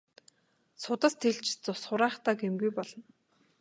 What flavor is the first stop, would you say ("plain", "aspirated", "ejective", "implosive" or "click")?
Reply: plain